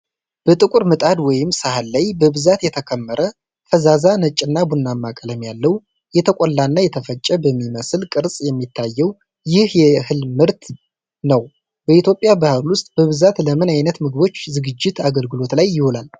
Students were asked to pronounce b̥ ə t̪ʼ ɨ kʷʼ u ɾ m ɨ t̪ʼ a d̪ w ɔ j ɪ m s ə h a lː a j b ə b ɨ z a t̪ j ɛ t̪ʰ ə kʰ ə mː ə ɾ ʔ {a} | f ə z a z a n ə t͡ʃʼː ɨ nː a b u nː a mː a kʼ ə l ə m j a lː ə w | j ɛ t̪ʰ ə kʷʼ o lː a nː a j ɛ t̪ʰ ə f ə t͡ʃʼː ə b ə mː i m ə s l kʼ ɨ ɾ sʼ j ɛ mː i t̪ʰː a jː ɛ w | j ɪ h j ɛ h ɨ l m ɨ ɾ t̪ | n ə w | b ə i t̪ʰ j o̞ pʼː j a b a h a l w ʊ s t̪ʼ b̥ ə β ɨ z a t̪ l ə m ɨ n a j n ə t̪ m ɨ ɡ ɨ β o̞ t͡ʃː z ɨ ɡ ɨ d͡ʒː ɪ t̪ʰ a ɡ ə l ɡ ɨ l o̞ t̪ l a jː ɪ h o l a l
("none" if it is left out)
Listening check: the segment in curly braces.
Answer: ə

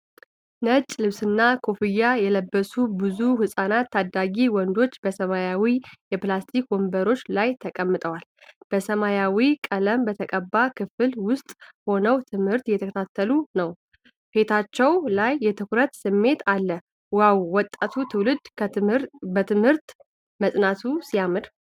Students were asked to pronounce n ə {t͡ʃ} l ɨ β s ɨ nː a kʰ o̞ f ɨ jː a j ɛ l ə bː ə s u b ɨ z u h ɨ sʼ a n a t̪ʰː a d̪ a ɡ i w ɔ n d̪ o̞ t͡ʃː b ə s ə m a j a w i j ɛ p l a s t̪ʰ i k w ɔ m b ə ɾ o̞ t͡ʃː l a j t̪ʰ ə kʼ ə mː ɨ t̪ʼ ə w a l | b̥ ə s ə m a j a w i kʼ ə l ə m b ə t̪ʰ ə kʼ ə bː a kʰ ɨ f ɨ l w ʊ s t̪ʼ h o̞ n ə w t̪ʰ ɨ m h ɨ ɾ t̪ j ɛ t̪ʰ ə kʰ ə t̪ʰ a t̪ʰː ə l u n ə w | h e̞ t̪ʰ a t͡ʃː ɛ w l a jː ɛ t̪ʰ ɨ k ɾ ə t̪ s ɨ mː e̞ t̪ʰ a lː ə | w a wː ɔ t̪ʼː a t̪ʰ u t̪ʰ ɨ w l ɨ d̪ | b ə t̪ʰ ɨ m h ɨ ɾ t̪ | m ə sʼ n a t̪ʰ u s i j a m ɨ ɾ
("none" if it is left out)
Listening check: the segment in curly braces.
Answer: t͡ʃʼ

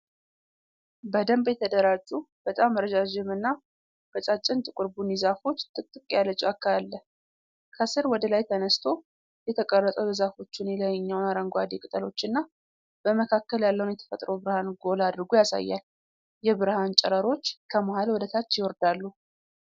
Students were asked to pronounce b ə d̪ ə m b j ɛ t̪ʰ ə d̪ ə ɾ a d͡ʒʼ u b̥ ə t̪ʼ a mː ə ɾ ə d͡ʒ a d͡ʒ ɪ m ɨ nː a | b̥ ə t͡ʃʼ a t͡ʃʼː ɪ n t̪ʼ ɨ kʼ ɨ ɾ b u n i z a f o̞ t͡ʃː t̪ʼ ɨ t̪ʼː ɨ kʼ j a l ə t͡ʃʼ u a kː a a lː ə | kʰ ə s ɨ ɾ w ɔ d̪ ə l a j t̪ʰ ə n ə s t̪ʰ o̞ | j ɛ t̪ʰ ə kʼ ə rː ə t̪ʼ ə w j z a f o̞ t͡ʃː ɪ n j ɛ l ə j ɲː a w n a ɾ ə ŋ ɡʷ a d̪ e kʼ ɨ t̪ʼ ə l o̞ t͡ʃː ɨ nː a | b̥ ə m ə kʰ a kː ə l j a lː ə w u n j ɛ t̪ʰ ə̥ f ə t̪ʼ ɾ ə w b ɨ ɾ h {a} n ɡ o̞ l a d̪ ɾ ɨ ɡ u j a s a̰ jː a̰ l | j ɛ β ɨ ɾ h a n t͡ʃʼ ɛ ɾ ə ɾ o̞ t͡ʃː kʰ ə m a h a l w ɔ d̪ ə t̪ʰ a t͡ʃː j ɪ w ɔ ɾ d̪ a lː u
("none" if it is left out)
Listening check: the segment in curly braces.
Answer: a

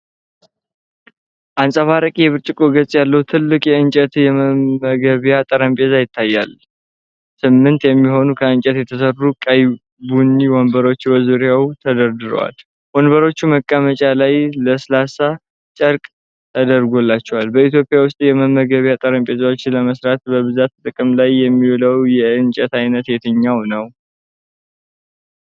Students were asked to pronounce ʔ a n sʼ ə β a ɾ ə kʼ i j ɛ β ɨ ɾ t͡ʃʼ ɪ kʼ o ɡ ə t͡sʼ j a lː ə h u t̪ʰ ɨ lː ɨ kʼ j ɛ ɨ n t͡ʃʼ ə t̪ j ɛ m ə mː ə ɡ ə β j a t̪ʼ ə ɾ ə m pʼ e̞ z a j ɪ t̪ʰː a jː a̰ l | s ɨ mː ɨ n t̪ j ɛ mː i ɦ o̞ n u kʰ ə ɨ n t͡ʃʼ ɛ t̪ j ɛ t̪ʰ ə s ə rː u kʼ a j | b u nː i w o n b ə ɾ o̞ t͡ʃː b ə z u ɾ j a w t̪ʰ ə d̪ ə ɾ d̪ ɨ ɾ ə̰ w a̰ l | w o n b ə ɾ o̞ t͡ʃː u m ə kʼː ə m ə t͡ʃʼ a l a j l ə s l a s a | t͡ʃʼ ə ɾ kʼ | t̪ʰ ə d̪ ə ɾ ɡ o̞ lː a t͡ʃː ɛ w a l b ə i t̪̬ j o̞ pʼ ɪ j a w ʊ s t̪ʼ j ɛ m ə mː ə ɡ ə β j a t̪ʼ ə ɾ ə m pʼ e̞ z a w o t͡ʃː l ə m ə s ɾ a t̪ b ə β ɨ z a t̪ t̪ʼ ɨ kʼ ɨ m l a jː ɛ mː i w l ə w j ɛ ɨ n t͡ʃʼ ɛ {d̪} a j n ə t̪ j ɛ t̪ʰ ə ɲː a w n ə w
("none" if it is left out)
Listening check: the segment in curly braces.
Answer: t̪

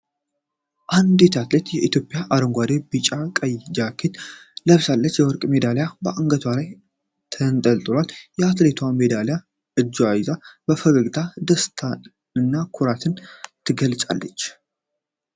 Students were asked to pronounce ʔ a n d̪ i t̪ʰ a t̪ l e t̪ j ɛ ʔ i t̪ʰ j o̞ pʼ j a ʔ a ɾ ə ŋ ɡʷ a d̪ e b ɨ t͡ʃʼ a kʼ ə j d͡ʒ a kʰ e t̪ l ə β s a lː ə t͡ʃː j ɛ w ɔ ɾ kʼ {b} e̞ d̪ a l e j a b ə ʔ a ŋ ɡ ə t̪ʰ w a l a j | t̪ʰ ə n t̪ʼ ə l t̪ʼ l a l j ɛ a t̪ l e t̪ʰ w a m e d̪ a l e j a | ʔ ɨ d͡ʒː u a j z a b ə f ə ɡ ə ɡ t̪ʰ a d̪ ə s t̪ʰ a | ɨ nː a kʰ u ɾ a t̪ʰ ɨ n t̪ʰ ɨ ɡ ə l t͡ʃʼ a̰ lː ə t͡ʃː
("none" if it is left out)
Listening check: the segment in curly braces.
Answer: m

